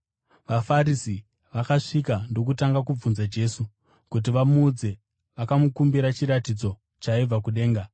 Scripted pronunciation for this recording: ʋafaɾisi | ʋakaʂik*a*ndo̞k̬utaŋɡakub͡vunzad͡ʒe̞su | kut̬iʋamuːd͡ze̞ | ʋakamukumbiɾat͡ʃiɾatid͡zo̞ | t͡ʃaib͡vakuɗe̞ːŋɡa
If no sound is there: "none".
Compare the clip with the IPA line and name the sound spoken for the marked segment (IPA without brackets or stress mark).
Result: a